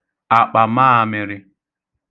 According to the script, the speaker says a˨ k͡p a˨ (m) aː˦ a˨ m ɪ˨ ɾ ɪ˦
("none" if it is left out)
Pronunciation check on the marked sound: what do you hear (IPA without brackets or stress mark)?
m